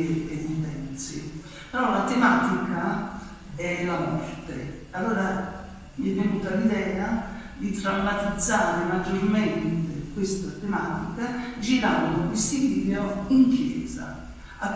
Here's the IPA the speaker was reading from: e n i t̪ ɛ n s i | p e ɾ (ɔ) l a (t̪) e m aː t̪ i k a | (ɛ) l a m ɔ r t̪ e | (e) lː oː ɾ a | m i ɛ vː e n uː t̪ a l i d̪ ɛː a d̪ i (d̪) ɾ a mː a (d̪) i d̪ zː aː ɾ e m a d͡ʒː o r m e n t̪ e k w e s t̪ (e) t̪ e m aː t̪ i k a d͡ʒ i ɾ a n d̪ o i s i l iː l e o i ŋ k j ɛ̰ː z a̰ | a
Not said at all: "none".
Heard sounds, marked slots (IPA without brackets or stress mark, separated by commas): ɔ, t̪, ɛ, a, t̪, t̪, a